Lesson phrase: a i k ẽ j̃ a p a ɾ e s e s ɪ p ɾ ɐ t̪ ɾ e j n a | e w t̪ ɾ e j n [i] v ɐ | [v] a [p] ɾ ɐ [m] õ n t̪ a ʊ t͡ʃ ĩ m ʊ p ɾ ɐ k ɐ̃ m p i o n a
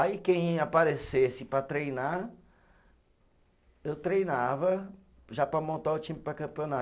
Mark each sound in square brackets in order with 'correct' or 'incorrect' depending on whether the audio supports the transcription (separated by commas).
incorrect, incorrect, correct, correct